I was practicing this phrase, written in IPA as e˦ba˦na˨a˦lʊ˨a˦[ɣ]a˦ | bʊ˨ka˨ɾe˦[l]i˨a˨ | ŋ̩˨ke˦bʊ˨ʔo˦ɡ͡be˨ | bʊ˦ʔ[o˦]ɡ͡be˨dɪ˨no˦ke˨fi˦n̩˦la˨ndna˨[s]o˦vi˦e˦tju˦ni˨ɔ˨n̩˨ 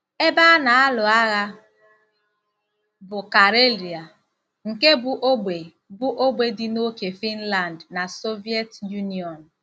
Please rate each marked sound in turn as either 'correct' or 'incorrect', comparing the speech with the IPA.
correct, correct, correct, correct

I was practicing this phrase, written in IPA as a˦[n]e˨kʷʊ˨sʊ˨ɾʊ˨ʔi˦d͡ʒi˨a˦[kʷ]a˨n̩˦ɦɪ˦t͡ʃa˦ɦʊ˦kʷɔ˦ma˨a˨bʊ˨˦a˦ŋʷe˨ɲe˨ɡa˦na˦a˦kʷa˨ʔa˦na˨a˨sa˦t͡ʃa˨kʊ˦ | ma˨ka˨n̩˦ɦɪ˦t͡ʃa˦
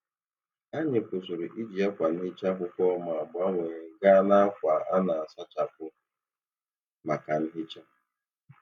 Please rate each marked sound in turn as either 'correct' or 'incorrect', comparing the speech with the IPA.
incorrect, correct

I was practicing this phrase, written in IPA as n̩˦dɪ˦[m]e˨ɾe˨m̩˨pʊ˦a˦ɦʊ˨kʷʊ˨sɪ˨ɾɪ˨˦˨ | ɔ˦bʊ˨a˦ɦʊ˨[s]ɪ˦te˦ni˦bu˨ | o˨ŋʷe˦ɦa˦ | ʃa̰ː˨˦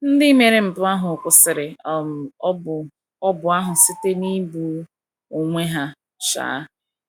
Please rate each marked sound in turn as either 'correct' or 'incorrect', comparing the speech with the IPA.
correct, correct

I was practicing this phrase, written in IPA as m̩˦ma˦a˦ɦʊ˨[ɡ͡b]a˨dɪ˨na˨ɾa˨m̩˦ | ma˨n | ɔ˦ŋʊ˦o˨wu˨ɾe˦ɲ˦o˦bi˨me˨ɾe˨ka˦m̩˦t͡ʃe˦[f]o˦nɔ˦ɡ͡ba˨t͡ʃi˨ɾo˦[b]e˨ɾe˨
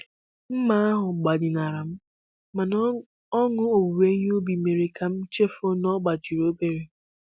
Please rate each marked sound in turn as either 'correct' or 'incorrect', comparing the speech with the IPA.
correct, correct, correct

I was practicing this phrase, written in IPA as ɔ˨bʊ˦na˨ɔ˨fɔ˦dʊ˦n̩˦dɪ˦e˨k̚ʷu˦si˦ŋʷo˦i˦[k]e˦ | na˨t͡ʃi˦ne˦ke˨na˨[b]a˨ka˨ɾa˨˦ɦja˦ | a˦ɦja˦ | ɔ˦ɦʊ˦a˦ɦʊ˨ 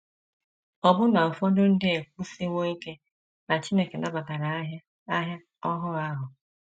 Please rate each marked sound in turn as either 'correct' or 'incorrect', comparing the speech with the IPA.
correct, correct

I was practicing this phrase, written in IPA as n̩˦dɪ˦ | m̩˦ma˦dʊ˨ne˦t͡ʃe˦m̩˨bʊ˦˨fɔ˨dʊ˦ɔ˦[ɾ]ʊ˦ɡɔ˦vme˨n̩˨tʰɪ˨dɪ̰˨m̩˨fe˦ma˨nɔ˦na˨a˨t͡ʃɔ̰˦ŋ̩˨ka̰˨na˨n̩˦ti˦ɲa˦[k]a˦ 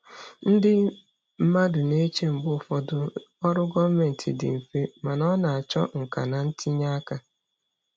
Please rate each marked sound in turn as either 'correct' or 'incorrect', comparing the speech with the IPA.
correct, correct

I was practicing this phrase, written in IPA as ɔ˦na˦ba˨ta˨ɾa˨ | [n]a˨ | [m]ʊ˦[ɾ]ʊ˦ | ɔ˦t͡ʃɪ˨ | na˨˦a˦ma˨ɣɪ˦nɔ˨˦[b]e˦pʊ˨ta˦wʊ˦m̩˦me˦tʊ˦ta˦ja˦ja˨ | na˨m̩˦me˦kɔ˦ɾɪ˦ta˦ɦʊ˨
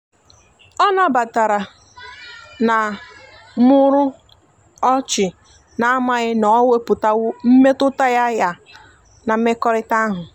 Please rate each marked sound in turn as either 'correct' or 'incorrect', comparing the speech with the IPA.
correct, correct, correct, incorrect

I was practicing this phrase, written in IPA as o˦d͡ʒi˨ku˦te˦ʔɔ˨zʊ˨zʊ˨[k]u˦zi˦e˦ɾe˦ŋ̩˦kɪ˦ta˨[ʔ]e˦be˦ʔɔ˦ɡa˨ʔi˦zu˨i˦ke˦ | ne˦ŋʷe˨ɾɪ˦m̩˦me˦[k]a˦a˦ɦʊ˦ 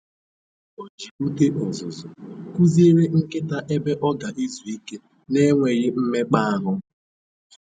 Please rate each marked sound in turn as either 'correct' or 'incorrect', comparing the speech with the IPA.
correct, correct, incorrect

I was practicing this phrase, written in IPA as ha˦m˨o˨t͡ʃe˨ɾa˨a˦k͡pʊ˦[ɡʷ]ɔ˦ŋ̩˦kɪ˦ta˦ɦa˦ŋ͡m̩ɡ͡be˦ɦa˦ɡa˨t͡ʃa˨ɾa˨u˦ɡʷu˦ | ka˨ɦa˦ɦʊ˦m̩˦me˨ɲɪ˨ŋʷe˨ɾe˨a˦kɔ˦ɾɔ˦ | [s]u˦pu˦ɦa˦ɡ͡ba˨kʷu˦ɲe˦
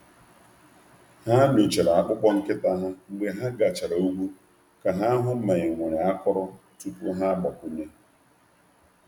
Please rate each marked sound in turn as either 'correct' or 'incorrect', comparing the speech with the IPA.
incorrect, incorrect

